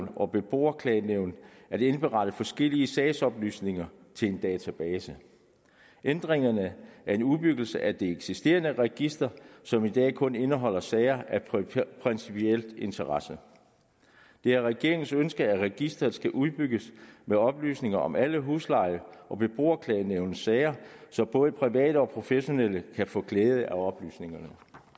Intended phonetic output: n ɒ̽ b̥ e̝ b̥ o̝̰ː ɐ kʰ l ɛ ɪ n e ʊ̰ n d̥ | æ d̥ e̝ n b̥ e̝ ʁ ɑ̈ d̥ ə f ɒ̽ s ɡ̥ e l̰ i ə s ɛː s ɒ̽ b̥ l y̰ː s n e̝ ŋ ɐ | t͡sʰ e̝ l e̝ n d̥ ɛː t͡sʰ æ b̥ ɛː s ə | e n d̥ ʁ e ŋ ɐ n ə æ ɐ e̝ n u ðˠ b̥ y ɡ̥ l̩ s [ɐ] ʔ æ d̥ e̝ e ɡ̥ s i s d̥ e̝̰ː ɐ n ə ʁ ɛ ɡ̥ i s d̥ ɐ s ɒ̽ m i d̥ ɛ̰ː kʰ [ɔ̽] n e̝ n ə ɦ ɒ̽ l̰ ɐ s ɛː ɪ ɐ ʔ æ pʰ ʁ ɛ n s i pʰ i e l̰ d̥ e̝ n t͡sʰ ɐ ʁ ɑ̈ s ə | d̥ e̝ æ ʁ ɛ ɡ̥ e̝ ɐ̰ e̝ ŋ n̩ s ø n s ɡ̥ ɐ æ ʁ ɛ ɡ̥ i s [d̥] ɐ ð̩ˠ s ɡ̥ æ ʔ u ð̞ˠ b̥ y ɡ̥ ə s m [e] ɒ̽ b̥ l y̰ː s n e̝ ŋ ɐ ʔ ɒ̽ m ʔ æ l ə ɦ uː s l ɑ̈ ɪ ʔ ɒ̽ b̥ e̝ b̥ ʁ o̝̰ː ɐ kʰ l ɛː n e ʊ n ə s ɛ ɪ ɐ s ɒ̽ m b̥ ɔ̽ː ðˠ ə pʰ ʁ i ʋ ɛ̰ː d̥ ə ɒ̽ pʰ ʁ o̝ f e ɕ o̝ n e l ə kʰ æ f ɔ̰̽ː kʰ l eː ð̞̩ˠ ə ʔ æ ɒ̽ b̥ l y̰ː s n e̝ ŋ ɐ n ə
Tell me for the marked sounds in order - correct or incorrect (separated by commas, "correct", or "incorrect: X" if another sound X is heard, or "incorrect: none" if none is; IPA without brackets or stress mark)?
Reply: incorrect: ə, correct, correct, correct